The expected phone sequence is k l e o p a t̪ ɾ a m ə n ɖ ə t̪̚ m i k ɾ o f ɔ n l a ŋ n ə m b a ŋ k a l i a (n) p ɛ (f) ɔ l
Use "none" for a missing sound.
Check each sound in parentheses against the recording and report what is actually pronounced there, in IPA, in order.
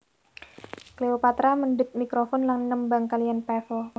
n, f

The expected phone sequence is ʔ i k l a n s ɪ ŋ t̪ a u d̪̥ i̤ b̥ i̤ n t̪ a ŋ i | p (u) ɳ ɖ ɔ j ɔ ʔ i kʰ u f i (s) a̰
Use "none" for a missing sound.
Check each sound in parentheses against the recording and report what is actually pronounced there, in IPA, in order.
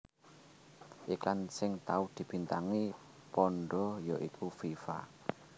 ɔ, f

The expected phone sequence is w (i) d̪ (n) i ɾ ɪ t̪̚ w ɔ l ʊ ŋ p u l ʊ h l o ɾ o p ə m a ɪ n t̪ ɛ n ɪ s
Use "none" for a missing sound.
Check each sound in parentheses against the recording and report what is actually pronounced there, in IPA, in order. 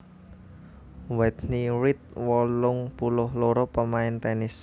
ɛ, n

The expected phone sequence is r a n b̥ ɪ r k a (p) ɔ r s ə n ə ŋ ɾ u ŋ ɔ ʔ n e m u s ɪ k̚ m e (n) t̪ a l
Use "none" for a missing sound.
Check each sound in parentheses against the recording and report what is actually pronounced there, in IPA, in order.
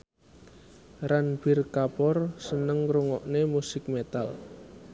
p, none

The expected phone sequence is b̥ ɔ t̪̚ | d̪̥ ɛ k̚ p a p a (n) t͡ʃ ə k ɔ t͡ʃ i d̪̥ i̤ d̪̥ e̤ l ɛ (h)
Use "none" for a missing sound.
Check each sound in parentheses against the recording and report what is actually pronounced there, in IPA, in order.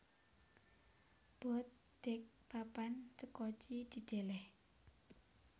n, h

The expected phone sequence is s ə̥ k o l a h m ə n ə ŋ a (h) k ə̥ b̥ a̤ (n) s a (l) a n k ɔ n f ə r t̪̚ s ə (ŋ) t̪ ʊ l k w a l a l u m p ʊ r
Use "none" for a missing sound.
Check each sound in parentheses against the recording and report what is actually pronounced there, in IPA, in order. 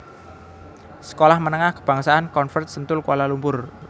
h, ŋ, none, n

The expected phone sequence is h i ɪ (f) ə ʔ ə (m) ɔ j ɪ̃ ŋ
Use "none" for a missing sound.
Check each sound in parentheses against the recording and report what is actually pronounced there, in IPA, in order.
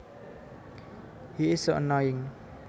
s, n

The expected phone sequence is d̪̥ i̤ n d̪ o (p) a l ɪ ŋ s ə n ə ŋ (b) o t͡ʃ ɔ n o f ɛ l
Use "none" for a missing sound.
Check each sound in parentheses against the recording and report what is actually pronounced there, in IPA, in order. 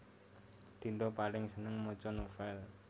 p, m

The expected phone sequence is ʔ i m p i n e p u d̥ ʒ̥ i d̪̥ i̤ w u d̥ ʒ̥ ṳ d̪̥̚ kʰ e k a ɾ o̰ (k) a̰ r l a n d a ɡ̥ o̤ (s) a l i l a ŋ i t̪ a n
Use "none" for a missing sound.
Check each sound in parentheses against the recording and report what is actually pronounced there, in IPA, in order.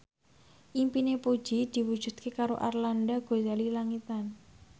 ʔ, z

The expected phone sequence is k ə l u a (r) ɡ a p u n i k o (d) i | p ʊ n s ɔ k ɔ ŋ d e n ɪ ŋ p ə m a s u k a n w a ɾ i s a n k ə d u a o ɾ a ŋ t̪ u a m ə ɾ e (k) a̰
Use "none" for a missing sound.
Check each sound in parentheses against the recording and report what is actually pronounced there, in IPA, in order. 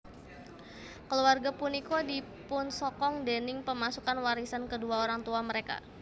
r, d, k

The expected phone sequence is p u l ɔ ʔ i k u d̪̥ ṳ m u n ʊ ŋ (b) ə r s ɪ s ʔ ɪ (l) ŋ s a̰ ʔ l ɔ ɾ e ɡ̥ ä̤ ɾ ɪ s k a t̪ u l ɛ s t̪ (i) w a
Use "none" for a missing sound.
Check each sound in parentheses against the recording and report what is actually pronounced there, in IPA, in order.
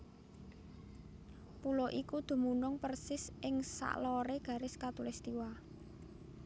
p, none, i

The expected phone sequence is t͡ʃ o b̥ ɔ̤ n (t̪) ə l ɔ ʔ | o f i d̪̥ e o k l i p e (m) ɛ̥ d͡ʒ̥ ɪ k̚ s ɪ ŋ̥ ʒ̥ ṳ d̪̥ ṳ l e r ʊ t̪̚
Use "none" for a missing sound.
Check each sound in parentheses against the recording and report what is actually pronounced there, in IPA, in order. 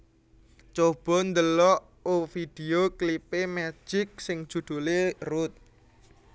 d̪, m

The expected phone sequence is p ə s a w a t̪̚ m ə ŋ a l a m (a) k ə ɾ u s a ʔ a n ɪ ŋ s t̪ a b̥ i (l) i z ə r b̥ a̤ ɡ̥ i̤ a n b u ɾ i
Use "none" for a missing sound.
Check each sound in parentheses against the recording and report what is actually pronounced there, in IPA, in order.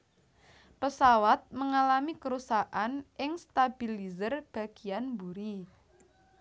i, l

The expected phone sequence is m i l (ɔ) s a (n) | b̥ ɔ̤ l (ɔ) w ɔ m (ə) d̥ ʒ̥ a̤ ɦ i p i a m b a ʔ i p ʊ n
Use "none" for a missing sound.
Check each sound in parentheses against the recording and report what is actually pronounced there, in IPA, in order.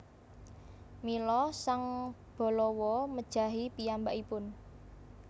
ɔ, ŋ, ɔ, ə

